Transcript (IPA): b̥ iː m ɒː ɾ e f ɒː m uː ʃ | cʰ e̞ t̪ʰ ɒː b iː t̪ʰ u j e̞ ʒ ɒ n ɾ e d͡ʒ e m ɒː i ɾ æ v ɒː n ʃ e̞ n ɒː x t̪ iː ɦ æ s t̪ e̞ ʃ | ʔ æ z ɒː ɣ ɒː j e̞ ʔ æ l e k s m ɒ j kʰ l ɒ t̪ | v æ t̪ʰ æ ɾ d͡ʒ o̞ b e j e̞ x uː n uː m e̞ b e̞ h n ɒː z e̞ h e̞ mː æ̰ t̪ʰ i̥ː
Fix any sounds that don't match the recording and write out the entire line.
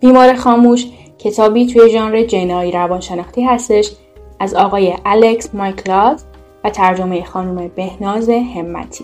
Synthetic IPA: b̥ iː m ɒː ɾ e x ɒː m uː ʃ | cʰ e̞ t̪ʰ ɒː b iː t̪ʰ u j e̞ ʒ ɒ n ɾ e d͡ʒ e n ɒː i ɾ æ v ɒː n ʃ e̞ n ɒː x t̪ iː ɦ æ s t̪ e̞ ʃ | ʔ æ z ɒː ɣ ɒː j e̞ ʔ æ l e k s m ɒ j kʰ l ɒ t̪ | v æ t̪ʰ æ ɾ d͡ʒ o̞ m e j e̞ x ɒː n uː m e̞ b e̞ h n ɒː z e̞ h e̞ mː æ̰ t̪ʰ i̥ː